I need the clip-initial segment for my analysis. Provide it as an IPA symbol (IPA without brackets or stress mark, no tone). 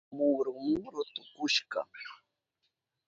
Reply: m